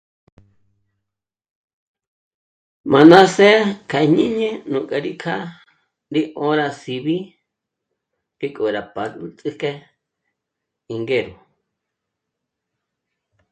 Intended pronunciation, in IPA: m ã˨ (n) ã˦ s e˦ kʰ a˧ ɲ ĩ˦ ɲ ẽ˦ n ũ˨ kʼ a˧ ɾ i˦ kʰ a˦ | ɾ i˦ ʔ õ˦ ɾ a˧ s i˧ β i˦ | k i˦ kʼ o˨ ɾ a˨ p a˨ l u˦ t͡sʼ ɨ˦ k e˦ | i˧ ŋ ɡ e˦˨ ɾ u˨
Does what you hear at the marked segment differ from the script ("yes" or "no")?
no